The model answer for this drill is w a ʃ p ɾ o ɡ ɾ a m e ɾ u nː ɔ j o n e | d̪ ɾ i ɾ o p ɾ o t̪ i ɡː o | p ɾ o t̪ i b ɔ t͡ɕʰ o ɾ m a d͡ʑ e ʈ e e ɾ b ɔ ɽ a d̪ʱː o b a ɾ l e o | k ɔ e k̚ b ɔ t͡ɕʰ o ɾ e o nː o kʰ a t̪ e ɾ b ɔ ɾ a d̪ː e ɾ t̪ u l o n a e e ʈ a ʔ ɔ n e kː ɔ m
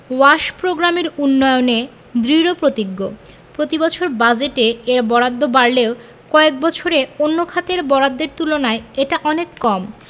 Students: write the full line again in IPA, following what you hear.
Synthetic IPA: w a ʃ p ɾ o ɡ ɾ a m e ɾ u nː ɔ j o n e | d̪ ɾ i ɾ o p ɾ o t̪ i ɡː o | p ɾ o t̪ i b ɔ t͡ɕʰ o ɾ b a d͡ʑ e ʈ e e ɾ b ɔ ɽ a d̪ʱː o b a ɾ l e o | k ɔ e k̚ b ɔ t͡ɕʰ o ɾ e o nː o kʰ a t̪ e ɾ b ɔ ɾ a d̪ː e ɾ t̪ u l o n a e e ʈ a ʔ ɔ n e kː ɔ m